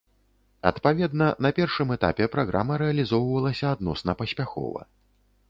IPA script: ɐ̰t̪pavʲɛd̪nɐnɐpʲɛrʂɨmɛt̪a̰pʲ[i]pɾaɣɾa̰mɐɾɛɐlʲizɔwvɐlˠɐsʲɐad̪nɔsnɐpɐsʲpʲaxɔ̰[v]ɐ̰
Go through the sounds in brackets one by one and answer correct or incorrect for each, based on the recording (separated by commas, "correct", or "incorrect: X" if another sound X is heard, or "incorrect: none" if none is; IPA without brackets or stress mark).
incorrect: ɛ, correct